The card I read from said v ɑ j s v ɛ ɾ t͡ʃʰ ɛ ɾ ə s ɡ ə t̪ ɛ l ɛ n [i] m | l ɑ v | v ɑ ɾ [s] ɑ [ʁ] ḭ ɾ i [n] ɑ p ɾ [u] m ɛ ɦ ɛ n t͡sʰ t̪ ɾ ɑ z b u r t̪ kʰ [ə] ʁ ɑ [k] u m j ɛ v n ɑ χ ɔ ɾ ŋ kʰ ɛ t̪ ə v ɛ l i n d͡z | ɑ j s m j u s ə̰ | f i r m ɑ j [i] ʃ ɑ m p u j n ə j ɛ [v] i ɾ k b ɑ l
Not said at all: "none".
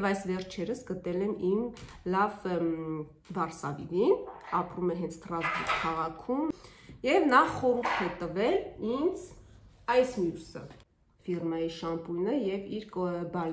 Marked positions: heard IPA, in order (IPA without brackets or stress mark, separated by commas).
i, s, v, n, u, ɑ, kʰ, i, v